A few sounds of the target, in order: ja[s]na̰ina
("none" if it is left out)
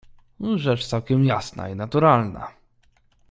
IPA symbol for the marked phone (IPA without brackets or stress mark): s